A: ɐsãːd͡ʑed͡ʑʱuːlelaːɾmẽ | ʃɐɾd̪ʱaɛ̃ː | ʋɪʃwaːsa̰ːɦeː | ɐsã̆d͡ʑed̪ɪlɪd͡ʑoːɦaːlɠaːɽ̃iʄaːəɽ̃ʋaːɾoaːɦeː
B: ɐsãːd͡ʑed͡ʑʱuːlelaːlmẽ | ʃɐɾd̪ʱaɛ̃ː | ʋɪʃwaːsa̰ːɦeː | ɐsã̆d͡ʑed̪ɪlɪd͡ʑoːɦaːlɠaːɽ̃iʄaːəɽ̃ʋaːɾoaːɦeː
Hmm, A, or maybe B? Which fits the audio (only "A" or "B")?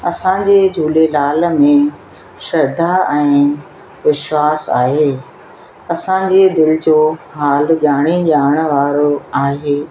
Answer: B